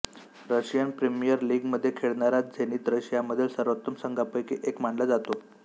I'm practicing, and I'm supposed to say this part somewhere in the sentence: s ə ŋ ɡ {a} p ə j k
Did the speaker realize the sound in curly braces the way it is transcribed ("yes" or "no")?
yes